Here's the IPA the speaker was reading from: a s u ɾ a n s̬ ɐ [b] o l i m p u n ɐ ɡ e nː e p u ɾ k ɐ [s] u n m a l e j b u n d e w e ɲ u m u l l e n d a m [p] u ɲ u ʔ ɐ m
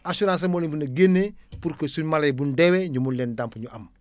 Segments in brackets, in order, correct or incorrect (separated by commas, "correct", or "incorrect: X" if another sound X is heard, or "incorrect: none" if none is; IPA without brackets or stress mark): incorrect: m, correct, correct